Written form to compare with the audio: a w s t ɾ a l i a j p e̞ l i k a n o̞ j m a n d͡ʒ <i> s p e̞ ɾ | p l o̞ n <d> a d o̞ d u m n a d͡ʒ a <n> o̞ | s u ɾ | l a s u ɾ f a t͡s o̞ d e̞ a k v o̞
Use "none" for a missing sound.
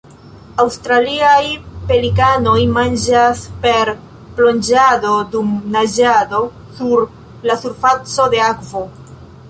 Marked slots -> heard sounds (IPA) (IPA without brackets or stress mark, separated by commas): a, d͡ʒ, d